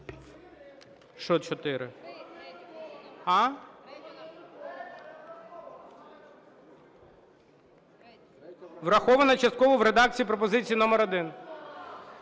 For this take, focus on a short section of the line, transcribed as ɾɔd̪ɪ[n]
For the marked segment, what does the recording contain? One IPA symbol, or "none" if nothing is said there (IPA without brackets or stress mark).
n